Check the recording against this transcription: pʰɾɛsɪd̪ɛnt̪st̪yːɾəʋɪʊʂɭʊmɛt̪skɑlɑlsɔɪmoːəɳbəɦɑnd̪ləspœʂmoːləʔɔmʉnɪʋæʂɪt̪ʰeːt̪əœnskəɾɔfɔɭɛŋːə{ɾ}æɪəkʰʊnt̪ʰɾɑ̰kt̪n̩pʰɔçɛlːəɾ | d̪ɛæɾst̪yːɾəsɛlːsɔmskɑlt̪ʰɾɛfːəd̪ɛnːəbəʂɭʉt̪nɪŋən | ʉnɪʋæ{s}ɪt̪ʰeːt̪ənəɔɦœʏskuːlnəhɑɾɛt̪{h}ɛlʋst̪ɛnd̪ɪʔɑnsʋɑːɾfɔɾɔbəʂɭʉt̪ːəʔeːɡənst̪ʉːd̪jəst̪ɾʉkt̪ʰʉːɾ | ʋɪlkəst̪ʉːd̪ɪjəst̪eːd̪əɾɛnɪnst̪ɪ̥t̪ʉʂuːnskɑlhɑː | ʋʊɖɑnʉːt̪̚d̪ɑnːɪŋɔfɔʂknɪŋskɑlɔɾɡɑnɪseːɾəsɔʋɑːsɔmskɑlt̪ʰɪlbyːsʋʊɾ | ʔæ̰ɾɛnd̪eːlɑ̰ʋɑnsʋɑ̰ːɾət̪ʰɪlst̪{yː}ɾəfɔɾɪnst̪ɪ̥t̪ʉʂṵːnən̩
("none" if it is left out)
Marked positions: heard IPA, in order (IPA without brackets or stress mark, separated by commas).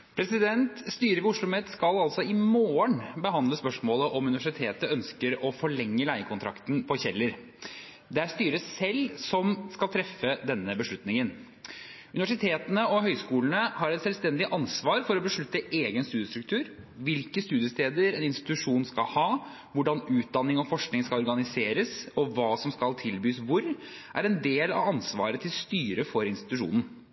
l, ʂ, s, yː